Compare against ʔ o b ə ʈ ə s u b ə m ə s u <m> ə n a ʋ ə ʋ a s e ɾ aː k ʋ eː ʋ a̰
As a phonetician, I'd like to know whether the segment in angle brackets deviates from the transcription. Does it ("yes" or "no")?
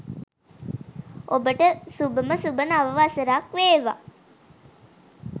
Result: yes